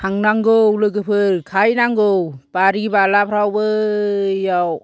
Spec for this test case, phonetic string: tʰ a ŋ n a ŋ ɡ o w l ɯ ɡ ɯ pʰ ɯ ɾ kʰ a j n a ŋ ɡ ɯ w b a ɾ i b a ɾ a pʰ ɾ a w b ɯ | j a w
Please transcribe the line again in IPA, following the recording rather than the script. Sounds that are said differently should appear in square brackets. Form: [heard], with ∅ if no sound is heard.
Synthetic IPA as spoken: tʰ a ŋ n a ŋ ɡ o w l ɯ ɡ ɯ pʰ ɯ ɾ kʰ a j n a ŋ ɡ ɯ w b a ɾ i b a [l] a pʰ ɾ a w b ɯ | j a w